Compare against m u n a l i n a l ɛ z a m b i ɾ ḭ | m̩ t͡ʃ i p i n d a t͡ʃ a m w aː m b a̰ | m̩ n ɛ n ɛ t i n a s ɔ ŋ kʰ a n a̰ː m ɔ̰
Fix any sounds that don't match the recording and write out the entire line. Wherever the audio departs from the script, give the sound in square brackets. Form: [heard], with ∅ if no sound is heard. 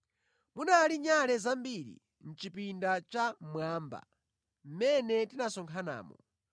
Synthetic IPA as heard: m u n a l i [ɲ] a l ɛ z a m b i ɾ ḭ | [n̩] t͡ʃ i p i n d a t͡ʃ a m w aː m b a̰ | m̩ [m] ɛ n ɛ t i n a s ɔ ŋ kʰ a n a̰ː m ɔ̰